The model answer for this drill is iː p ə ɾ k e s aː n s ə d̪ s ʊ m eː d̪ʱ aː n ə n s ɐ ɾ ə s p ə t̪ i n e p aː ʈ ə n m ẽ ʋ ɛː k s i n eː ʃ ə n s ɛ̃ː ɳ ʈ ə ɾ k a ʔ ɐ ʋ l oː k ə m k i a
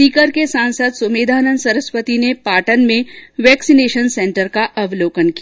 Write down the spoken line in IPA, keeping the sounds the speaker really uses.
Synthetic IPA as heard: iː k ə ɾ k e s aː n s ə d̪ s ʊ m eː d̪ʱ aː n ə n s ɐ ɾ ə s p ə t̪ i n e p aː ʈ ə n m ẽ ʋ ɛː k s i n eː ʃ ə n s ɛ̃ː ɳ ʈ ə ɾ k a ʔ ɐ ʋ l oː k ə n k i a